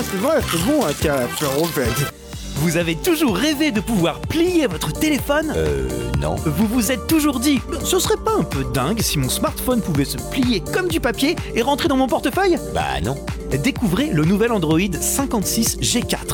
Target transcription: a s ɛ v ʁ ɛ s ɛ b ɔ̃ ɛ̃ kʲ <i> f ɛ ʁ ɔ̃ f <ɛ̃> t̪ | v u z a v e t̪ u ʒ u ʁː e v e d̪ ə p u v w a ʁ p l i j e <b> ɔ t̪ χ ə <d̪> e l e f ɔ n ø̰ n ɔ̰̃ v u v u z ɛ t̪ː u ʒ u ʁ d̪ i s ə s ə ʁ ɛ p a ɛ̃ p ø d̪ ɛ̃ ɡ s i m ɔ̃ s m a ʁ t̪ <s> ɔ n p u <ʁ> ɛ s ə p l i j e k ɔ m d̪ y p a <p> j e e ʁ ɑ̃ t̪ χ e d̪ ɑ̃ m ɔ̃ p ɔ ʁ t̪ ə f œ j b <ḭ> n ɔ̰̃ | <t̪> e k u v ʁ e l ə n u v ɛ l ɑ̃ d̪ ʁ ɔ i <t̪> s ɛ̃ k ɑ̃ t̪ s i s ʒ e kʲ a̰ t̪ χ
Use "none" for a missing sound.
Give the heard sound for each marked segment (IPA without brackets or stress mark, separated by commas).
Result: a, ɛ, v, t̪, f, v, p, a̰, d̪, d̪